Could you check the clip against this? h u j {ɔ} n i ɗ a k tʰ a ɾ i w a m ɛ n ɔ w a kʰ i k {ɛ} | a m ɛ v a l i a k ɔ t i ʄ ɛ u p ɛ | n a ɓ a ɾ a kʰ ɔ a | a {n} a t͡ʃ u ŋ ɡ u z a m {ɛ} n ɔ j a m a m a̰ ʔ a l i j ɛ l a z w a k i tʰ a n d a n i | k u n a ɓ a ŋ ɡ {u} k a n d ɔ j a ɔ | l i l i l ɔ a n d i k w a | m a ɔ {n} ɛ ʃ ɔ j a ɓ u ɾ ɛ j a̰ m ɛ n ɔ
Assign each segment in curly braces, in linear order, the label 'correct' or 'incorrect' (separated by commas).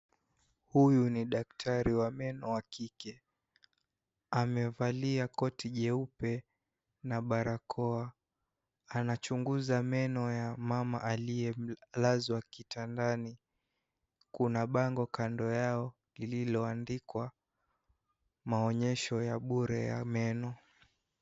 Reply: incorrect, correct, correct, correct, incorrect, incorrect